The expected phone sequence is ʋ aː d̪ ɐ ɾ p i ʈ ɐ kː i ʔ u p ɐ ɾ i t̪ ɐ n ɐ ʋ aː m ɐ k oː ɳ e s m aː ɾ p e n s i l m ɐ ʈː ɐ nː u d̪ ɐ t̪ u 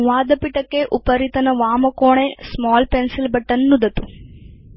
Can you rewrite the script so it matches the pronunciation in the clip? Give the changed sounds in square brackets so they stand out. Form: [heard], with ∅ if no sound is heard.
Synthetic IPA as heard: ʋ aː d̪ ɐ [∅] p i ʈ ɐ kː [e] ʔ u p ɐ ɾ i t̪ ɐ n ɐ ʋ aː m ɐ k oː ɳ e s m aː [l] p e n s i l [b] ɐ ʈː ɐ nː u d̪ ɐ t̪ u

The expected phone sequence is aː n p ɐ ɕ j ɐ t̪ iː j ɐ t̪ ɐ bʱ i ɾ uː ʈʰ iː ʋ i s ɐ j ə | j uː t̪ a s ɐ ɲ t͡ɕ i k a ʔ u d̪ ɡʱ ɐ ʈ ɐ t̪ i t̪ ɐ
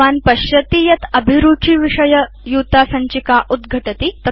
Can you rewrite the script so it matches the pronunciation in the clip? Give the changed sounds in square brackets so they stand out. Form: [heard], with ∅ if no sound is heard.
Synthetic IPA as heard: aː n p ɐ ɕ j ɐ t̪ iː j ɐ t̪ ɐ bʱ i ɾ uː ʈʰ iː ʋ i [ʂ] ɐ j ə | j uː t̪ a s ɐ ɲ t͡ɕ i k a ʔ u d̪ ɡʱ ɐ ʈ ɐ t̪ i t̪ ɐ

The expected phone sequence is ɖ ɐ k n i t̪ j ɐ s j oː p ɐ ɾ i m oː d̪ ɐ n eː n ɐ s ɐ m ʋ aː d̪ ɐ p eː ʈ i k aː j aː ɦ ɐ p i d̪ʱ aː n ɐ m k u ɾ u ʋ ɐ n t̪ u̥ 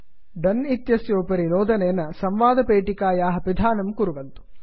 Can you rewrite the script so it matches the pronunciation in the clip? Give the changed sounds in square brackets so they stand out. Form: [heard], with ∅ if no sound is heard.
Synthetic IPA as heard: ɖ ɐ [∅] n i t̪ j ɐ s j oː p ɐ ɾ i [n] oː d̪ ɐ n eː n ɐ s ɐ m ʋ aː d̪ ɐ p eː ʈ i k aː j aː ɦ ɐ p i d̪ʱ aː n ɐ m k u ɾ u ʋ ɐ n t̪ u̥

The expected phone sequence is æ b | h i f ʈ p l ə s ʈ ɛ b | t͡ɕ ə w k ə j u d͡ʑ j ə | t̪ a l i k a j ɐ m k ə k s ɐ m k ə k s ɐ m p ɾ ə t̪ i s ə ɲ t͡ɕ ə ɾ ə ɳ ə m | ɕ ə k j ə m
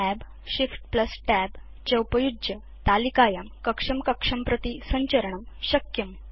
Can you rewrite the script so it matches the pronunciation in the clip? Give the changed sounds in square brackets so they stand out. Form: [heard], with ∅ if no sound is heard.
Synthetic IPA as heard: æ b | [ɕ] i f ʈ p l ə s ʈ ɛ b | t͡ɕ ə w [p] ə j u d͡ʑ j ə | t̪ a l i k a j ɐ m k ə k [ʂ] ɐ m k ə k [ʂ] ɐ m p ɾ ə t̪ i s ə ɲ t͡ɕ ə ɾ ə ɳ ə m | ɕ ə k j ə m

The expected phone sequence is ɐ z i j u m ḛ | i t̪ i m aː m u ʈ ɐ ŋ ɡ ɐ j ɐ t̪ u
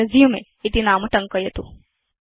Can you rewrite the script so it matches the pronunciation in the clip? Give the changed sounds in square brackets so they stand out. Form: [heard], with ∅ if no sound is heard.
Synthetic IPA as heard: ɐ z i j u m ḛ | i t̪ i [n] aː m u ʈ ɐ ŋ [k] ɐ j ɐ t̪ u

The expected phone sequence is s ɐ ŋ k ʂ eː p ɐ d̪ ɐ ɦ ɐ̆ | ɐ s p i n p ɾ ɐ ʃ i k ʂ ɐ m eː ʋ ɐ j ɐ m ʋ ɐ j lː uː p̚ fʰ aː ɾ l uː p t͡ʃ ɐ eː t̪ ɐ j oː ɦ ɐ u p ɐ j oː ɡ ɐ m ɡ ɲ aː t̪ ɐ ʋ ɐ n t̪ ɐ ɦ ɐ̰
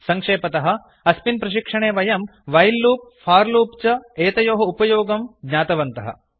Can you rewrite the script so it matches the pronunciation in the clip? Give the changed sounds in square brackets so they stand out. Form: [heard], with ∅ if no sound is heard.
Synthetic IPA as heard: s ɐ ŋ k ʂ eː p ɐ [t̪] ɐ ɦ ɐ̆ | ɐ s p i n p ɾ ɐ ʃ i k ʂ ɐ [ɳ] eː ʋ ɐ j ɐ m ʋ ɐ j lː uː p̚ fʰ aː ɾ l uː p t͡ʃ ɐ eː t̪ ɐ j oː ɦ ɐ u p ɐ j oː ɡ ɐ m ɡ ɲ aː t̪ ɐ ʋ ɐ n t̪ ɐ ɦ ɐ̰

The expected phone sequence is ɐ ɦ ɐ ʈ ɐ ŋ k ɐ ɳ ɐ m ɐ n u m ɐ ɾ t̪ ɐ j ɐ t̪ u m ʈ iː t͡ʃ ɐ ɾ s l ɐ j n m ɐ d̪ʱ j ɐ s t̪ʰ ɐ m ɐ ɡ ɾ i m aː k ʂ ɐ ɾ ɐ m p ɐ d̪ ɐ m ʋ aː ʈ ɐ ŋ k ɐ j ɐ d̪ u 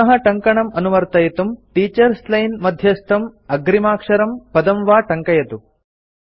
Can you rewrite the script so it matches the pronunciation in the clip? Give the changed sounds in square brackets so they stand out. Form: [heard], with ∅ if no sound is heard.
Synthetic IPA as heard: ɐ ɦ ɐ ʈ ɐ ŋ k ɐ ɳ ɐ m ɐ n u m ɐ ɾ t̪ ɐ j ɐ t̪ u m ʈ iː t͡ʃ ɐ ɾ s l ɐ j n m ɐ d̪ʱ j ɐ s t̪ʰ ɐ m ɐ ɡ ɾ i m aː k ʂ ɐ ɾ ɐ m p ɐ d̪ ɐ m ʋ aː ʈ ɐ ŋ k ɐ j ɐ [t̪] u

